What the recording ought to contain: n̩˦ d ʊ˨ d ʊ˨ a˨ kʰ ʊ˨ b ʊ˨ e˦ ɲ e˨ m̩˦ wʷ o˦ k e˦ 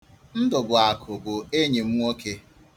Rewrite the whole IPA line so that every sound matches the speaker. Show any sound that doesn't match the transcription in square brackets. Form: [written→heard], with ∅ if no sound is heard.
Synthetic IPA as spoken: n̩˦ d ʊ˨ [d→b] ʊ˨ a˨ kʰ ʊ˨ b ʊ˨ e˦ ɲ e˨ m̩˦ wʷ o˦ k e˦